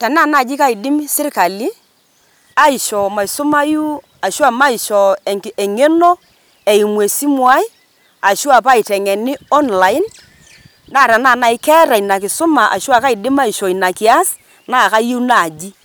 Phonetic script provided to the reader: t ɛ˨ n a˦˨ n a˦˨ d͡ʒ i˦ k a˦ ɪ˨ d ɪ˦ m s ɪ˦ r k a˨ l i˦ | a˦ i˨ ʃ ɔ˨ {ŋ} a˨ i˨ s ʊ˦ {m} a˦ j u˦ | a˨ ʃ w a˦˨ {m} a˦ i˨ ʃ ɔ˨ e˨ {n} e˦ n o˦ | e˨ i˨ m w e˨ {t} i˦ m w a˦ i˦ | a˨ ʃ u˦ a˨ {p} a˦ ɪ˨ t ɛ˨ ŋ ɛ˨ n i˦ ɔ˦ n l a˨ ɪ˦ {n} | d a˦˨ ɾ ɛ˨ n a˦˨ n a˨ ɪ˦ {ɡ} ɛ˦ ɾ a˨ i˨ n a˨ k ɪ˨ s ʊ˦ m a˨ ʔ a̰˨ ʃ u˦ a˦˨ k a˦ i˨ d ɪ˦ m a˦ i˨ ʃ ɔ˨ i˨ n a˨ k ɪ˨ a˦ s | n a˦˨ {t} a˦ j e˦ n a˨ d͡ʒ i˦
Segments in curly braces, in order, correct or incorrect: incorrect: m, correct, correct, incorrect: ŋ, incorrect: s, correct, correct, incorrect: k, incorrect: k

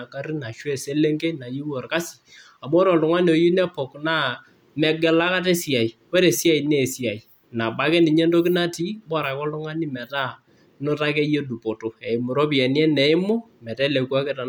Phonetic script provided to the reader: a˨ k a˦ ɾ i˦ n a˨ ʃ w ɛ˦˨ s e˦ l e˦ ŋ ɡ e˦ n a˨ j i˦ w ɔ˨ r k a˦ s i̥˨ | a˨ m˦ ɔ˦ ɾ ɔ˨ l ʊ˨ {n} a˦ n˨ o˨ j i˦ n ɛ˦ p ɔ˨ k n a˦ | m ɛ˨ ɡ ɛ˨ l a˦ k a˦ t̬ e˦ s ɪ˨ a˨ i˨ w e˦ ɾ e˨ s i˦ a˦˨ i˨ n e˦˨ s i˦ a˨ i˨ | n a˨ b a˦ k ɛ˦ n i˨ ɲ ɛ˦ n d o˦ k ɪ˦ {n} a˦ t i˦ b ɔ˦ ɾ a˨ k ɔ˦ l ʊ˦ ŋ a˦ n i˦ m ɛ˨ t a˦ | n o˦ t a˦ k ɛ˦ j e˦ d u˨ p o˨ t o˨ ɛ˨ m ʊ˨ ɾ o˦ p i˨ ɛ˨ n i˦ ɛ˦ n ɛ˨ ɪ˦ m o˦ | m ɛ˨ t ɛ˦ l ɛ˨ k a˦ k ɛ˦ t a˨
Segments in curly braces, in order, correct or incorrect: incorrect: ŋ, correct

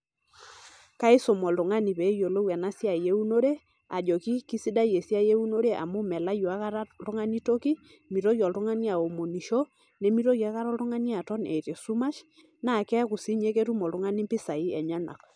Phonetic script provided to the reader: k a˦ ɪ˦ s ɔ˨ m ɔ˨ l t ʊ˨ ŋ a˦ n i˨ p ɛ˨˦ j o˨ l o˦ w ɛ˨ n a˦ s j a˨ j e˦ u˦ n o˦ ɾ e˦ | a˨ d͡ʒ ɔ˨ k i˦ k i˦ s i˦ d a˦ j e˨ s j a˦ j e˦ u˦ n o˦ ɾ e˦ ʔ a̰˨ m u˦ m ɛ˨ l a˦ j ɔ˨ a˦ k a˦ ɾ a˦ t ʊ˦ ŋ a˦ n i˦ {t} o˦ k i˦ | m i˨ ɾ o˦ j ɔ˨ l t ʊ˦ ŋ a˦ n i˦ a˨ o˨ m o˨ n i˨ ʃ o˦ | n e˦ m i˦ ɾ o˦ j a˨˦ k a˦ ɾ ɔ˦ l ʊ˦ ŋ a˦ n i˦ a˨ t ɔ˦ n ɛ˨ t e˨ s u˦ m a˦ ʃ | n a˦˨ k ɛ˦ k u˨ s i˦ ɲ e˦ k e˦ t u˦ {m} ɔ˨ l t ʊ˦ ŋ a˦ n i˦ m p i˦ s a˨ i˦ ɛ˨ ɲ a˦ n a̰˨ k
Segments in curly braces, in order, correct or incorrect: correct, correct

